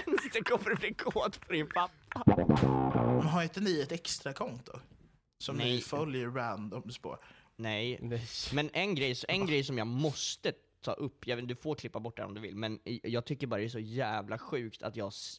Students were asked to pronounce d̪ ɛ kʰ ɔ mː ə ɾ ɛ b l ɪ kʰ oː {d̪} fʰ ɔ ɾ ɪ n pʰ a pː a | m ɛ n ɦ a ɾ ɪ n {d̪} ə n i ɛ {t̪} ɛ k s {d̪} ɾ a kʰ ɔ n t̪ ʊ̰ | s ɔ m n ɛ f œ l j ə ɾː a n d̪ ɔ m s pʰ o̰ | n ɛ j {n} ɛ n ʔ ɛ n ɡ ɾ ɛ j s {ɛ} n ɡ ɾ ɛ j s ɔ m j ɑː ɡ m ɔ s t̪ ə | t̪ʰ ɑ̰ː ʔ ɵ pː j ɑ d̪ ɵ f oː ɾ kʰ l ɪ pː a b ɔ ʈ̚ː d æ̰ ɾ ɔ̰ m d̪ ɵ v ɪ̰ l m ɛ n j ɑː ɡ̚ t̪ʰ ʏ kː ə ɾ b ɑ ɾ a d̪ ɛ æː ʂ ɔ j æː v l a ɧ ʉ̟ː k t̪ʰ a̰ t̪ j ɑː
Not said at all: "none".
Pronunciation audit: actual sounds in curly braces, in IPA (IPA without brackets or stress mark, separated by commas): t̪, t̪, t̪, t̪, m, ɛ